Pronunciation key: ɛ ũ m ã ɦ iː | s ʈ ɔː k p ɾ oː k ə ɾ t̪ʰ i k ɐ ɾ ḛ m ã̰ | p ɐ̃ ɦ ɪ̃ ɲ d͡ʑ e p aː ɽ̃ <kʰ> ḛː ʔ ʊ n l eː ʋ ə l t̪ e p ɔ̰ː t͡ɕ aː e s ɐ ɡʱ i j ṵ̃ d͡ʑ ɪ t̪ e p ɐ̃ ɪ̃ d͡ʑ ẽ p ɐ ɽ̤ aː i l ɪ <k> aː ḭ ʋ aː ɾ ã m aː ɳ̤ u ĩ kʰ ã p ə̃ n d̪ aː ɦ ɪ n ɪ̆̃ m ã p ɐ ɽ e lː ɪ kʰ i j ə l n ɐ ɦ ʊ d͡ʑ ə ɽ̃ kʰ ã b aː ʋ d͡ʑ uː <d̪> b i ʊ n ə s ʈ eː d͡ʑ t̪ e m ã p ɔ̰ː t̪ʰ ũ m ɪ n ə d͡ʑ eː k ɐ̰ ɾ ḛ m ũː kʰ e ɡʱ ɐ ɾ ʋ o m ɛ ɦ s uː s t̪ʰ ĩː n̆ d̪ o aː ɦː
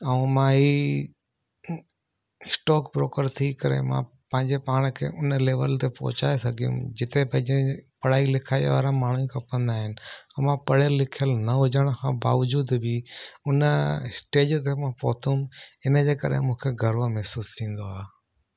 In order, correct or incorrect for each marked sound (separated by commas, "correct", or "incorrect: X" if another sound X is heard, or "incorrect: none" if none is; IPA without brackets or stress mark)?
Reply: correct, incorrect: kʰ, correct